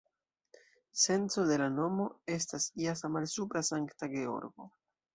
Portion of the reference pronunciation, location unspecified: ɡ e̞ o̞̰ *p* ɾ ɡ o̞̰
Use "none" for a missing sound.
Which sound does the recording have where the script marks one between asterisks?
none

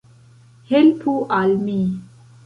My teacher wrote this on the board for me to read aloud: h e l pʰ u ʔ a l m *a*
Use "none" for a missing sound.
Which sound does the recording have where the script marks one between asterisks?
i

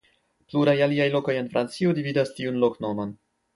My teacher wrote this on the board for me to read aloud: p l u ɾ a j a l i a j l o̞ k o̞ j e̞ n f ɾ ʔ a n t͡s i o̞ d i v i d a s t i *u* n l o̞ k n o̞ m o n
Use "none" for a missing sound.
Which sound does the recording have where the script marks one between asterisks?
u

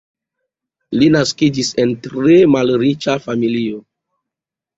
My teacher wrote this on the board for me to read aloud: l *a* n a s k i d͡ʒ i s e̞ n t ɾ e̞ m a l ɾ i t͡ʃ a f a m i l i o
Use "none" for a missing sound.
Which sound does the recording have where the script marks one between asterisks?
i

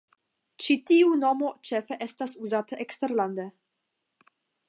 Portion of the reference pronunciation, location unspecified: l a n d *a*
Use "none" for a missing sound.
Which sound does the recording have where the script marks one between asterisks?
e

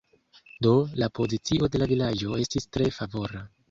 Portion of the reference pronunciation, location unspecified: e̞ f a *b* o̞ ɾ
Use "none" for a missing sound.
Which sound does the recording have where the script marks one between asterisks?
v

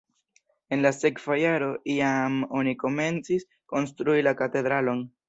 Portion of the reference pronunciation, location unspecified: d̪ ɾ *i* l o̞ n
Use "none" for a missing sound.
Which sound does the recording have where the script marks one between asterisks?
a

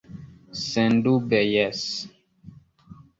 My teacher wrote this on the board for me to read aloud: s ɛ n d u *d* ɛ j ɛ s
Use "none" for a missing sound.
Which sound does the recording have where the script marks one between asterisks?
b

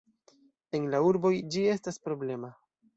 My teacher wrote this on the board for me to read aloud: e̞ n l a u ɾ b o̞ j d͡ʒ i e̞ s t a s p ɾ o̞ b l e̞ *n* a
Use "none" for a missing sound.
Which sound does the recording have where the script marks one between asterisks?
m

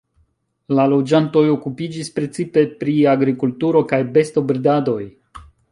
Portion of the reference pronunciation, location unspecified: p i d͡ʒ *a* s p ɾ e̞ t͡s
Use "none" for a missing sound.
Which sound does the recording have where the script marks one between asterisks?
i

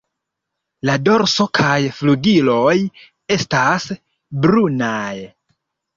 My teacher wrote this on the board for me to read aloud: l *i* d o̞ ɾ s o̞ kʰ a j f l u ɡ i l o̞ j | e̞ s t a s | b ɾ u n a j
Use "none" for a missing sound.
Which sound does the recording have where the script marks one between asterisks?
a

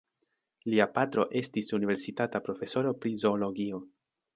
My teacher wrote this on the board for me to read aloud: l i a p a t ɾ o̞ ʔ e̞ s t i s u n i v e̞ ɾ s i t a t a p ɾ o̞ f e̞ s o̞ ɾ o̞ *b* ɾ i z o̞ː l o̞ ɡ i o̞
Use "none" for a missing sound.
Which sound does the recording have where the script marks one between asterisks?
p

